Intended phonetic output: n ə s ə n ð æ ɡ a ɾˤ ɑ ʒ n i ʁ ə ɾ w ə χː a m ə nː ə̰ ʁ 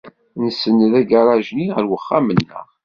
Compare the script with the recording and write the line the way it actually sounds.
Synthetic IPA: n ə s ə n ð æ ɡ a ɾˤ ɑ ʒ n i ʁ ə ɾ w ə χː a m ə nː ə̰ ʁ